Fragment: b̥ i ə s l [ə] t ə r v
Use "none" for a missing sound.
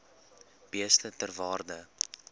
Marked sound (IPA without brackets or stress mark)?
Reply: ə